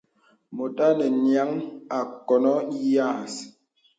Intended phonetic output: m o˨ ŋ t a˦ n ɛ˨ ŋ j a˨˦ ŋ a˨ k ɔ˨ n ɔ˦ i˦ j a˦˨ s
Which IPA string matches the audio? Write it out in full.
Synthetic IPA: m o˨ t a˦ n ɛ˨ n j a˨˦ ŋ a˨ k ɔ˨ n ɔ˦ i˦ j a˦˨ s